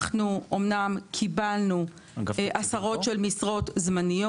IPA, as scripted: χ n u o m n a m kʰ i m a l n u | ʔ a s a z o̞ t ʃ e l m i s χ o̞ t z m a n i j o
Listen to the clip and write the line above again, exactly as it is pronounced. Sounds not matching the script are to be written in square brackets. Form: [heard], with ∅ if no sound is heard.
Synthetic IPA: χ n u o m n a m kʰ i [b] a l n u | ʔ a s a [ʁ] o̞ t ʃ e l m i s [ʁ] o̞ t z m a n i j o